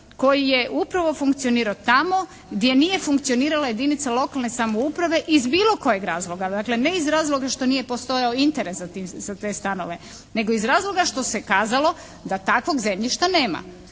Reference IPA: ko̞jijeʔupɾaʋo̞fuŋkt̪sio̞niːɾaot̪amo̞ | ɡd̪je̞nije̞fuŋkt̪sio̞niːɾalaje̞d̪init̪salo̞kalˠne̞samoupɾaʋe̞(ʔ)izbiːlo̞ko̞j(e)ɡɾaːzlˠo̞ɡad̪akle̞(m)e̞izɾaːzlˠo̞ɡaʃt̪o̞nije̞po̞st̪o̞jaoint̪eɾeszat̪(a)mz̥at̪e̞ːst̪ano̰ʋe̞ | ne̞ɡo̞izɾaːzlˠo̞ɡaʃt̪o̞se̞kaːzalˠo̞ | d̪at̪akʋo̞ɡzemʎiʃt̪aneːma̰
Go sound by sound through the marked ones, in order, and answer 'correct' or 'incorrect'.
correct, correct, incorrect, incorrect

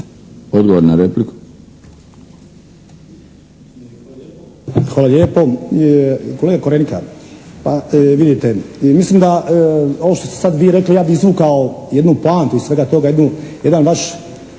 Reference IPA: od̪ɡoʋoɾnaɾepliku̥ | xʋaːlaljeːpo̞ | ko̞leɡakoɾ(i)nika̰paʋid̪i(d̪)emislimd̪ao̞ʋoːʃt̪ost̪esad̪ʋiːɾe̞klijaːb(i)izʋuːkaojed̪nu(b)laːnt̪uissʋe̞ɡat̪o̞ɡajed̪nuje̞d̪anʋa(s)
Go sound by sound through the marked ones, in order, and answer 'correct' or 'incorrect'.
incorrect, incorrect, correct, incorrect, incorrect

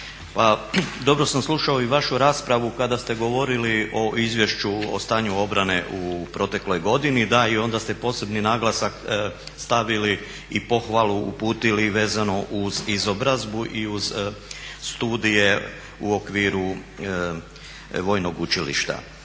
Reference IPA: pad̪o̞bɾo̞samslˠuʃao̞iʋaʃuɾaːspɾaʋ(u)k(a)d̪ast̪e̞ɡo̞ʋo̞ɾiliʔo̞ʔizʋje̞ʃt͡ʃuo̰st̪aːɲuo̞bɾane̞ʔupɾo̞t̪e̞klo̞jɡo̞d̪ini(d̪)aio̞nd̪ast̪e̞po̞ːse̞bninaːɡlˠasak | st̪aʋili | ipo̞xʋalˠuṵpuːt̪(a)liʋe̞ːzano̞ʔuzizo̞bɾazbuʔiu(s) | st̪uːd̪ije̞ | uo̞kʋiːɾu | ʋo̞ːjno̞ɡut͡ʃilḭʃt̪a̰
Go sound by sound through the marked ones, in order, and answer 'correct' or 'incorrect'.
correct, correct, correct, incorrect, incorrect

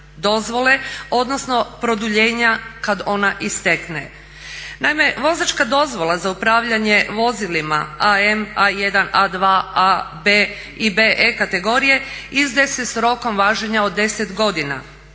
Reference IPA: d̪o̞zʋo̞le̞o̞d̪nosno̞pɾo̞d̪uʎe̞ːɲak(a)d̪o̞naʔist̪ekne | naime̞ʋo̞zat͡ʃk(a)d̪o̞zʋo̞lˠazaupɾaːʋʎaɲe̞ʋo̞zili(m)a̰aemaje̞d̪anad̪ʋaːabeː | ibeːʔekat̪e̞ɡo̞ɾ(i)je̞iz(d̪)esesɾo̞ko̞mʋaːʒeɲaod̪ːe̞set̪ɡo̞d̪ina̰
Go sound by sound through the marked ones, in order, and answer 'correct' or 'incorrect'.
correct, correct, correct, correct, correct

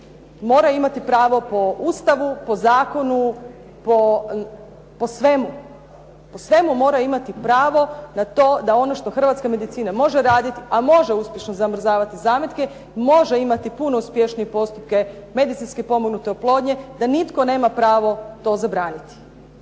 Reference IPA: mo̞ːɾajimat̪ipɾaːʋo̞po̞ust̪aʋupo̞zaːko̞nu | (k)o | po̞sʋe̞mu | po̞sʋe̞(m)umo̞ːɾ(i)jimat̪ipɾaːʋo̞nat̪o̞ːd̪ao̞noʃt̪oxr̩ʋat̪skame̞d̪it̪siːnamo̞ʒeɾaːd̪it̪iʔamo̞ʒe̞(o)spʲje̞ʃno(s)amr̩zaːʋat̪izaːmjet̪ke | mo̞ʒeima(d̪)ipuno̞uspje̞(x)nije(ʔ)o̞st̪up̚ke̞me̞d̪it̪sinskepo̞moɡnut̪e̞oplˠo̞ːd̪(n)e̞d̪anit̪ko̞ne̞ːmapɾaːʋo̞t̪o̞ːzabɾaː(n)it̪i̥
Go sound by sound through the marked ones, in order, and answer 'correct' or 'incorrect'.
incorrect, correct, incorrect, incorrect, incorrect, incorrect, incorrect, incorrect, incorrect, correct

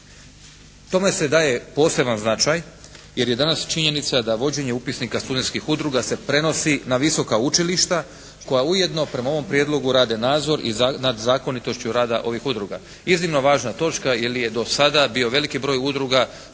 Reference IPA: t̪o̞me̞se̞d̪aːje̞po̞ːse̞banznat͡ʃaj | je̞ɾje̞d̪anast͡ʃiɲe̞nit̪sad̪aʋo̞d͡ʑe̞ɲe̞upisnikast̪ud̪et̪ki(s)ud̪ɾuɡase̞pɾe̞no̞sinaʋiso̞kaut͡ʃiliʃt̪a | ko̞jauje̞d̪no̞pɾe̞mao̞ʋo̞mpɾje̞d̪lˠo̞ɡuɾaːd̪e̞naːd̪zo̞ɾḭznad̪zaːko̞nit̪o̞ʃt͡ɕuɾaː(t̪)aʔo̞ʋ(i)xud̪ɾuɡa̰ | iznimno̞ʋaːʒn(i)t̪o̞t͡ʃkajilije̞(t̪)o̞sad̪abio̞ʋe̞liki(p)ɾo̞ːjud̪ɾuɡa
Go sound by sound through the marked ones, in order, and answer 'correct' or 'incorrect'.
incorrect, incorrect, correct, incorrect, incorrect, incorrect

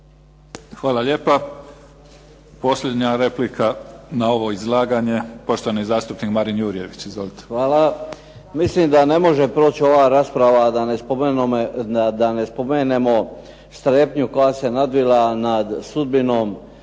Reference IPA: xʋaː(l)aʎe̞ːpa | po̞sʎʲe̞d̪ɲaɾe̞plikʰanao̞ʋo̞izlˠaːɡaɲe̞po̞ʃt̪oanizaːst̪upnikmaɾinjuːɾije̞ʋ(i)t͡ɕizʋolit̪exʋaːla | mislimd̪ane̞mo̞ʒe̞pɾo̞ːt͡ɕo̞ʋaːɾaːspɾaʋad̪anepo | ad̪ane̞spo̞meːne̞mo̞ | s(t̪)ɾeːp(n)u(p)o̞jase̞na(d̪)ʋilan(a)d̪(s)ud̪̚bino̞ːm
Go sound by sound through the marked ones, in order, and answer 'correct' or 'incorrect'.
correct, correct, correct, incorrect, incorrect, correct, correct, correct

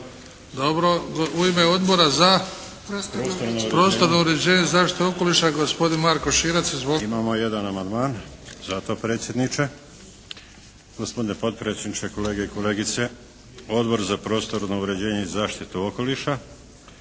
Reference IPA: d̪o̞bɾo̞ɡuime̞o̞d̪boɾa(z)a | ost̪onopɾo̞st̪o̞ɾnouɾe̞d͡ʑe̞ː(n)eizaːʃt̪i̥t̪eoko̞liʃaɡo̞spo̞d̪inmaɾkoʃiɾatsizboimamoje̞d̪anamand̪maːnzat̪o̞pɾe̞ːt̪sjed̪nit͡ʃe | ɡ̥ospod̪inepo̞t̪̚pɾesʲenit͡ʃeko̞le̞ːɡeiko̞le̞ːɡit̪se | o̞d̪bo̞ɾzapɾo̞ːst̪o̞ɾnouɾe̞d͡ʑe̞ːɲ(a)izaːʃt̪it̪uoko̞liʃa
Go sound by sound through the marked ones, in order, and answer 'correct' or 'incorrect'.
correct, incorrect, incorrect

